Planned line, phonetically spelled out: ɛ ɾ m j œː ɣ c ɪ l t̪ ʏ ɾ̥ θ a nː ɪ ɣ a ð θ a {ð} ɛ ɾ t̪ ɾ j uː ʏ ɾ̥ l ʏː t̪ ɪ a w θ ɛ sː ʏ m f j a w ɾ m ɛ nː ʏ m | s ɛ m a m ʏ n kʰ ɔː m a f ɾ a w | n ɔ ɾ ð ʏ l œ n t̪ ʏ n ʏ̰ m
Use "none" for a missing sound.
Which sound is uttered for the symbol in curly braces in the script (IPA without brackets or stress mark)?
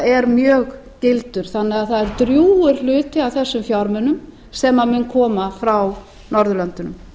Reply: ð